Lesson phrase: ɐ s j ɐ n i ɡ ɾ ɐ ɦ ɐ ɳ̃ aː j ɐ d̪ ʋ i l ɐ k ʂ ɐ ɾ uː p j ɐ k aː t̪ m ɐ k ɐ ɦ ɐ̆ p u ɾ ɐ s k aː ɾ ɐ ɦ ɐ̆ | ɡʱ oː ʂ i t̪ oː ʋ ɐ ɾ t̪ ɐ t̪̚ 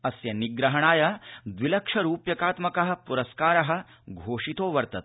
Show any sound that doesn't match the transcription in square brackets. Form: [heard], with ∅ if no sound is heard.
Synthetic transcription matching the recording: ɐ s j ɐ n i ɡ ɾ ɐ ɦ ɐ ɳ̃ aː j ɐ d̪ ʋ i l ɐ k ʂ ɐ ɾ uː p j ɐ k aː t̪ m ɐ k ɐ ɦ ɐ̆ p u ɾ ɐ s k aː ɾ ɐ ɦ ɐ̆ | ɡʱ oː ʂ i t̪ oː ʋ ɐ ɾ t̪ ɐ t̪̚